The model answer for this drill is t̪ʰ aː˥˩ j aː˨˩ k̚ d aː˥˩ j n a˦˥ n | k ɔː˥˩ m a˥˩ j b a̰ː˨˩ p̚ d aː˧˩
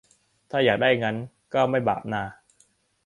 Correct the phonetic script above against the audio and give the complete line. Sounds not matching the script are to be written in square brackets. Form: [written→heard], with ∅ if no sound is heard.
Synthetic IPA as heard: t̪ʰ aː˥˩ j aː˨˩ k̚ d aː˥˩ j [n→ŋ] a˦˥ n | k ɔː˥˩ m a˥˩ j b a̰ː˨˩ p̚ [d→n] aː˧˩